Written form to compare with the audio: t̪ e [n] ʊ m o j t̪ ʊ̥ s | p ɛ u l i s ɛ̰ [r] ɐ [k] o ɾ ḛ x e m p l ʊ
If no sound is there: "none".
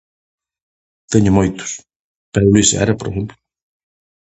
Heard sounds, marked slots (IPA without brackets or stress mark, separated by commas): ɲ, ɾ, p